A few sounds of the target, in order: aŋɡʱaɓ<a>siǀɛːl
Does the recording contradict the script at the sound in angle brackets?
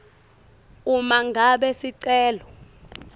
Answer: yes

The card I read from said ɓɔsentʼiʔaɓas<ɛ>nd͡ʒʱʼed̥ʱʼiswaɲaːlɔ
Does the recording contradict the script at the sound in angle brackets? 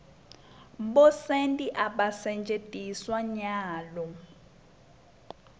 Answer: no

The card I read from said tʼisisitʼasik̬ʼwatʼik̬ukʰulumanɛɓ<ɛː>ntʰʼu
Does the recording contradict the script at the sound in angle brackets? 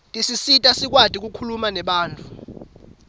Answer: yes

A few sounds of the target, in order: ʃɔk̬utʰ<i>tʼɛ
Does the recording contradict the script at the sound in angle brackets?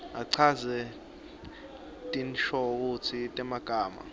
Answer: no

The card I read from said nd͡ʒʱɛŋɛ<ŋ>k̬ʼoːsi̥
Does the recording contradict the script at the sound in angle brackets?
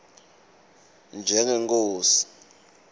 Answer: no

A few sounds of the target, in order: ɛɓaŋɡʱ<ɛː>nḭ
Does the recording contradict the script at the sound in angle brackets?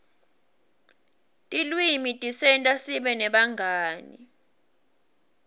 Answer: yes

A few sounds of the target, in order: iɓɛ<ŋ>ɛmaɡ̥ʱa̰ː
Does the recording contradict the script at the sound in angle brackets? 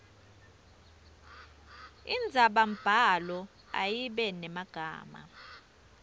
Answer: yes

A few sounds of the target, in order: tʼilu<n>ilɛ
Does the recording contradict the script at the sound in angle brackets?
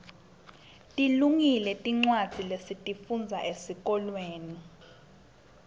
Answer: yes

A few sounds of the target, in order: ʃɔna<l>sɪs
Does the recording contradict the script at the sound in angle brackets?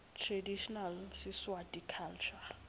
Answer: no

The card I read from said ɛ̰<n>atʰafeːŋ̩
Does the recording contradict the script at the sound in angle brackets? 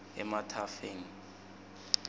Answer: yes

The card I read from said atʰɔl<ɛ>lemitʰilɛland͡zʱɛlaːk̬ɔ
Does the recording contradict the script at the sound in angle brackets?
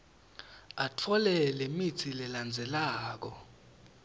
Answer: no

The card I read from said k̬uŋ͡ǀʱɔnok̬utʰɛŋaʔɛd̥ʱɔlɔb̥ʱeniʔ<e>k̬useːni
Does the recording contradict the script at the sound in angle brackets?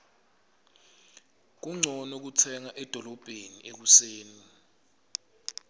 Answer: no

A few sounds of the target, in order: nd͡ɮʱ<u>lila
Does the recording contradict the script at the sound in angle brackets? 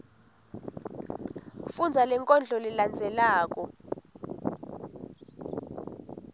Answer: yes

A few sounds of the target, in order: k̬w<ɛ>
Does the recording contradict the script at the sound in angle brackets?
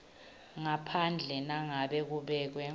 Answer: no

